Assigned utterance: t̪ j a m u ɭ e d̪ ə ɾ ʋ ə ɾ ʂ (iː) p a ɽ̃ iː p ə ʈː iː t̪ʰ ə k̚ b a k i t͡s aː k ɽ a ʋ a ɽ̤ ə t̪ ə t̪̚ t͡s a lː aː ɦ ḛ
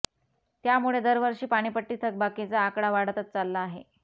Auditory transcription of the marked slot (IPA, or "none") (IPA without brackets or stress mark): iː